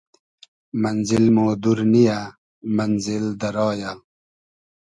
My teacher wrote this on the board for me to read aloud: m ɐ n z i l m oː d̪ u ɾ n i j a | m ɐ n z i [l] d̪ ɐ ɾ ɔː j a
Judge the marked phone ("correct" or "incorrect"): correct